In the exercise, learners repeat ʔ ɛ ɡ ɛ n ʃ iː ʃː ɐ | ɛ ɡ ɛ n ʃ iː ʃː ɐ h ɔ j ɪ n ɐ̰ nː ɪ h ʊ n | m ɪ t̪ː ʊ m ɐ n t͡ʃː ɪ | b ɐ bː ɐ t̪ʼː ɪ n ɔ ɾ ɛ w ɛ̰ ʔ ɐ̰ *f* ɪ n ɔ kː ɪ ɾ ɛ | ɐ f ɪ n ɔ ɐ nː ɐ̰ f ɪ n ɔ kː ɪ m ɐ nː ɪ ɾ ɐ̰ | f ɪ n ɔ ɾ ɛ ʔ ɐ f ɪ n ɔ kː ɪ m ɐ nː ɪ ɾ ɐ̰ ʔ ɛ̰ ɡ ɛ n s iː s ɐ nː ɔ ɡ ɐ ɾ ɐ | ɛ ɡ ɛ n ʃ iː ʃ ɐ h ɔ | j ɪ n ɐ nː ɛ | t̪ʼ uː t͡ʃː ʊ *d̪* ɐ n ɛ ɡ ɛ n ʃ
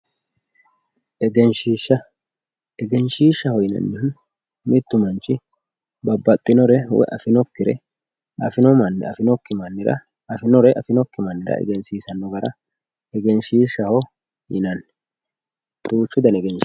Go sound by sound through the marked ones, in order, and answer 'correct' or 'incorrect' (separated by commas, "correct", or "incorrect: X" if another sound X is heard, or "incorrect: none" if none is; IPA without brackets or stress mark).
correct, correct